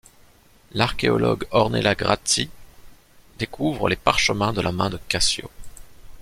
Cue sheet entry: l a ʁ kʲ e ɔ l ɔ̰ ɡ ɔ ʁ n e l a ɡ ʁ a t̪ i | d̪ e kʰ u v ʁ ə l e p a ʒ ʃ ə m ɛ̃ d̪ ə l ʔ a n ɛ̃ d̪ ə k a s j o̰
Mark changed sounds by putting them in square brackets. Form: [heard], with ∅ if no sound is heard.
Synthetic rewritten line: l a ʁ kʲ e ɔ l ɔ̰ ɡ ɔ ʁ n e l a ɡ ʁ a t̪ i | d̪ e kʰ u v ʁ ə l e p a [ʁ] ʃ ə m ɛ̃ d̪ ə l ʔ a [m] ɛ̃ d̪ ə k a s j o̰